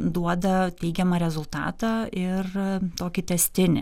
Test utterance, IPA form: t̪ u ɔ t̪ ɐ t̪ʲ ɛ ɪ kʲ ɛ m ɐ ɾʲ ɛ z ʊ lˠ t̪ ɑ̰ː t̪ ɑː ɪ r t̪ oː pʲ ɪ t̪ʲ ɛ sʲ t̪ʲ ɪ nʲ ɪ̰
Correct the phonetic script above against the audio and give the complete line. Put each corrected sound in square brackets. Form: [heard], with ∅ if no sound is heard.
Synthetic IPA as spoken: [d̪] u ɔ [d̪] ɐ t̪ʲ ɛ ɪ [ɡʲ] ɛ m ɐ ɾʲ ɛ z ʊ lˠ t̪ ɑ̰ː t̪ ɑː ɪ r t̪ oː [kʲ] ɪ t̪ʲ ɛ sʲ t̪ʲ ɪ nʲ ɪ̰

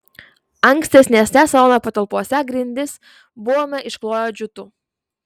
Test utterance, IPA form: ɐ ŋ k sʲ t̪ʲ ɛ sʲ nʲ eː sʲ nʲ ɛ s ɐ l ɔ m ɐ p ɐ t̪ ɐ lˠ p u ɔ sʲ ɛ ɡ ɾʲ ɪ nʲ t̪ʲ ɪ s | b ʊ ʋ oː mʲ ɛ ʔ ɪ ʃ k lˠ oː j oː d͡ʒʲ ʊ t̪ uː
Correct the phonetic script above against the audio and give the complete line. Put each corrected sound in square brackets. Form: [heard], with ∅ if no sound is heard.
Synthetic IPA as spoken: ɐ ŋ k sʲ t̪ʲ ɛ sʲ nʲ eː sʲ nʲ ɛ s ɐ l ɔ [n] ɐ p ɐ t̪ ɐ lˠ p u ɔ sʲ ɛ ɡ ɾʲ ɪ nʲ [d̪ʲ] ɪ s | b ʊ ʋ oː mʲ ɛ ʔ ɪ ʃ k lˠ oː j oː d͡ʒʲ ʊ t̪ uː

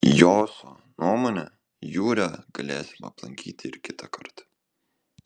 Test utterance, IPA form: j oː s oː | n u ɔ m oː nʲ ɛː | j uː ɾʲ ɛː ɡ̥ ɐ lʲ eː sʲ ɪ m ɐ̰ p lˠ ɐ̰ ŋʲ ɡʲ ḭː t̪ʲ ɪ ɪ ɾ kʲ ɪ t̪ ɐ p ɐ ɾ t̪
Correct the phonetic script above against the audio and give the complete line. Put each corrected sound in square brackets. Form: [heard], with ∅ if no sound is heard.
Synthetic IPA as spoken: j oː s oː | n u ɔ m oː nʲ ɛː | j uː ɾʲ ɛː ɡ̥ ɐ lʲ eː sʲ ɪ m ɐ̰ p lˠ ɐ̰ ŋʲ [kʲ] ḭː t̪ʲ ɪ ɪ ɾ kʲ ɪ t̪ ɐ [k] ɐ ɾ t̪

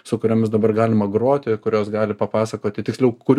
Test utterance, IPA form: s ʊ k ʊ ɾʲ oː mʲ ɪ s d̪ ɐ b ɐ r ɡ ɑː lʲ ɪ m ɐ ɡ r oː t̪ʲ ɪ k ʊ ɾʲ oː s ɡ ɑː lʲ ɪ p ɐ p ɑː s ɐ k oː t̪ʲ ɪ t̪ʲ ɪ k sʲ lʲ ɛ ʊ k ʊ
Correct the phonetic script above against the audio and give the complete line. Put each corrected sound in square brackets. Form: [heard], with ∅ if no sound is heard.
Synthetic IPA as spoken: s ʊ k ʊ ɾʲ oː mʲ ɪ s d̪ ɐ b ɐ r ɡ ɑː lʲ ɪ m ɐ ɡ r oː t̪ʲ ɪ k ʊ ɾʲ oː s ɡ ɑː lʲ ɪ p ɐ p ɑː s ɐ k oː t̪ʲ ɪ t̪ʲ ɪ k sʲ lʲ ɛ ʊ k ʊ

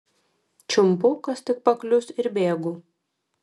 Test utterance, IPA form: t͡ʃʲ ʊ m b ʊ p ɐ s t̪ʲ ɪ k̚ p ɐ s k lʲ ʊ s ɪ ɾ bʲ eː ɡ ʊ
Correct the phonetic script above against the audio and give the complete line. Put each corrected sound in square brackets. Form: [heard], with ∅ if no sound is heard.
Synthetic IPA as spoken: t͡ʃʲ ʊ m [p] ʊ [k] ɐ s t̪ʲ ɪ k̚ p ɐ [∅] k lʲ ʊ s ɪ ɾ bʲ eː ɡ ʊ

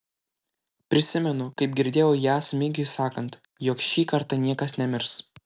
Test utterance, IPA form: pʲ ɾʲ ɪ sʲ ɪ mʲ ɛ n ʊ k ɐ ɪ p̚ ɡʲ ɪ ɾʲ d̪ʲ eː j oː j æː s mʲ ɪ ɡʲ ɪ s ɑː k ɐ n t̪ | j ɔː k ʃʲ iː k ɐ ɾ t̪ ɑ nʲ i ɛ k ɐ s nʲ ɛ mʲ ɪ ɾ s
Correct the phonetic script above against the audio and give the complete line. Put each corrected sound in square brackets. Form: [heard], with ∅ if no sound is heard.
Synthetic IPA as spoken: pʲ ɾʲ ɪ sʲ ɪ mʲ ɛ n ʊ k ɐ ɪ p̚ ɡʲ ɪ ɾʲ d̪ʲ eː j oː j æː s mʲ ɪ ɡʲ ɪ s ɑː k ɐ n t̪ | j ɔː k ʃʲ iː k ɐ ɾ t̪ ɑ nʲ i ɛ k ɐ s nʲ ɛ mʲ ɪ ɾ s

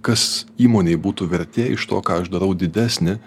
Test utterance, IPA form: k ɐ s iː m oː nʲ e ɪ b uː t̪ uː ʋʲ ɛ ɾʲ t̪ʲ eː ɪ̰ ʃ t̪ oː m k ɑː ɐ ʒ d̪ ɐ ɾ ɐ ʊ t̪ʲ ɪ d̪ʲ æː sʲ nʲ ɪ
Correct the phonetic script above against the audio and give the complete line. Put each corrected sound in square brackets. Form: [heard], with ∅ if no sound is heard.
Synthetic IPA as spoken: k ɐ s iː m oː nʲ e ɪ b uː t̪ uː ʋʲ ɛ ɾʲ t̪ʲ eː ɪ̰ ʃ t̪ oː [∅] k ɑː ɐ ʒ d̪ ɐ ɾ ɐ ʊ [d̪ʲ] ɪ d̪ʲ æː sʲ nʲ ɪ

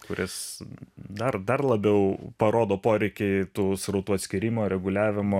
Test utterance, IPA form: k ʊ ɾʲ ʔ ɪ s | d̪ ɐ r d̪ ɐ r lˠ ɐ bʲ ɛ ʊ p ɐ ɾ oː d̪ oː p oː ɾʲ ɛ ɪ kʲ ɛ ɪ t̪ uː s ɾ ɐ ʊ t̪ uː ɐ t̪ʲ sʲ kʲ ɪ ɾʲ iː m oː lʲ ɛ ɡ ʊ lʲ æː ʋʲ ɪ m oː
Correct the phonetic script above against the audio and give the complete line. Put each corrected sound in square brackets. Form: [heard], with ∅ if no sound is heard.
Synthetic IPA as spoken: k ʊ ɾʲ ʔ ɪ s | d̪ ɐ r d̪ ɐ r lˠ ɐ bʲ ɛ ʊ p ɐ ɾ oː d̪ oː p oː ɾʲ ɛ ɪ kʲ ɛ ɪ t̪ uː s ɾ ɐ ʊ t̪ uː ɐ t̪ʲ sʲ kʲ ɪ ɾʲ iː m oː [ɾʲ] ɛ ɡ ʊ lʲ æː ʋʲ ɪ m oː

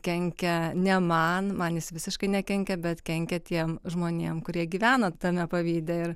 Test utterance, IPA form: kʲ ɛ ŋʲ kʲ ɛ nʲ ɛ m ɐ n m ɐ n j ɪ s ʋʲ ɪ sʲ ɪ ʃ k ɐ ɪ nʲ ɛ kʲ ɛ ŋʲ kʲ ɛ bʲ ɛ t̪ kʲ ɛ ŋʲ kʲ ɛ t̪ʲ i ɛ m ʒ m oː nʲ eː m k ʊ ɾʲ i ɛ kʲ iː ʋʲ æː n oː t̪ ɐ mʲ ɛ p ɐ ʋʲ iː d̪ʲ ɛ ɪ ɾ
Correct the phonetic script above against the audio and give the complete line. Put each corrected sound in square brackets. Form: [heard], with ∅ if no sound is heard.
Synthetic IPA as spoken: kʲ ɛ ŋʲ kʲ ɛ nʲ ɛ m ɐ n m ɐ n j ɪ s ʋʲ ɪ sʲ ɪ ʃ k ɐ ɪ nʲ ɛ kʲ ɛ ŋʲ kʲ ɛ bʲ ɛ t̪ kʲ ɛ ŋʲ kʲ ɛ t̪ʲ i ɛ m ʒ m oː nʲ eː m k ʊ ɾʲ i ɛ [ɡʲ] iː ʋʲ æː n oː t̪ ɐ mʲ ɛ p ɐ ʋʲ iː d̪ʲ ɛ ɪ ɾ

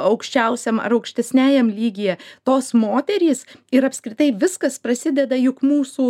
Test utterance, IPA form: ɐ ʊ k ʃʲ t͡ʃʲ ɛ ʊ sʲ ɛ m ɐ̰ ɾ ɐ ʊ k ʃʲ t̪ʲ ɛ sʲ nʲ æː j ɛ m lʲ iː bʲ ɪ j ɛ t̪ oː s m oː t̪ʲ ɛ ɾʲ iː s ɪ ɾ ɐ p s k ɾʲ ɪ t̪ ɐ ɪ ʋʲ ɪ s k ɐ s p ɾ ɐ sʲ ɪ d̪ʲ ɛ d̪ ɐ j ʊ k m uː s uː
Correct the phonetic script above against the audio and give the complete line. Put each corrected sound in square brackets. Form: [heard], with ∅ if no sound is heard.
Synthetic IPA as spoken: ɐ ʊ k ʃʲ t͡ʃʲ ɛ ʊ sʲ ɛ m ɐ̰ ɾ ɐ ʊ k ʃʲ t̪ʲ ɛ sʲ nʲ æː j ɛ m lʲ iː [ɡʲ] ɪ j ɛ t̪ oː s m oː t̪ʲ ɛ ɾʲ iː s ɪ ɾ ɐ p s k ɾʲ ɪ t̪ ɐ ɪ ʋʲ ɪ s k ɐ s p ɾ ɐ sʲ ɪ d̪ʲ ɛ d̪ ɐ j ʊ k m uː s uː

